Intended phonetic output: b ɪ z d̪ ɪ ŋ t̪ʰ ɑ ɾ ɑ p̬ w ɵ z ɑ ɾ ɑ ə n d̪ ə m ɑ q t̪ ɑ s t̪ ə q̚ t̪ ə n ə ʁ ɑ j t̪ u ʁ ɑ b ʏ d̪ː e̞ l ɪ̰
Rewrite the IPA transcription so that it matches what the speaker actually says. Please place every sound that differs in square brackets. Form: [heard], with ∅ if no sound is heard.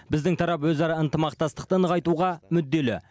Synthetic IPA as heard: b ɪ z d̪ ɪ ŋ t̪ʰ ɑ ɾ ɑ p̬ w ɵ z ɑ ɾ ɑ ə n [t̪] ə m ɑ q t̪ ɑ s t̪ ə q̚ t̪ ə n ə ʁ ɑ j t̪ u ʁ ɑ [m] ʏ d̪ː e̞ l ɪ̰